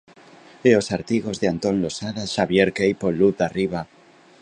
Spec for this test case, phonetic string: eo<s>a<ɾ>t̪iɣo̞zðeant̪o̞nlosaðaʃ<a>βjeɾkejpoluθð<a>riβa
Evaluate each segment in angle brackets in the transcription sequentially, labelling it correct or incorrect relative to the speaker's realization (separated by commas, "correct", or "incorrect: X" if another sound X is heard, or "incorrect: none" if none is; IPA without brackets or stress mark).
correct, correct, correct, correct